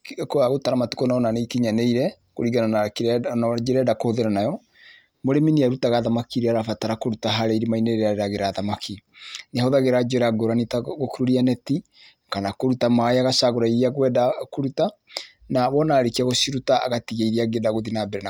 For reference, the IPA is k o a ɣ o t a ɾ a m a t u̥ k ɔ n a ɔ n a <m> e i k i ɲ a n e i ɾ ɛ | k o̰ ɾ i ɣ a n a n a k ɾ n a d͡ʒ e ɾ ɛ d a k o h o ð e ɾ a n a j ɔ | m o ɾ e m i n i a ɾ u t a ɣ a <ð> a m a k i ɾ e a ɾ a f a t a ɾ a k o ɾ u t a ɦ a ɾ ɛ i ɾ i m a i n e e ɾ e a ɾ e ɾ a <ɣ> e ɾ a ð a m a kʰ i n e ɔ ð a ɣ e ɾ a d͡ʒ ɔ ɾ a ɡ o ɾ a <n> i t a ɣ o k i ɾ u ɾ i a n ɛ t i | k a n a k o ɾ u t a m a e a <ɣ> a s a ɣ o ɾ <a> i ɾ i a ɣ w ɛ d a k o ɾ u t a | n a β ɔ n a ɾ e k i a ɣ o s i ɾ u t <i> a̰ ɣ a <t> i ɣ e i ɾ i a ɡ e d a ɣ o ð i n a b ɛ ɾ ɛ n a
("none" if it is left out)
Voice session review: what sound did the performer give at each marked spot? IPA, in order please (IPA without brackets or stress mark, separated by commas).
n, ð, ɣ, n, ɣ, a, a, t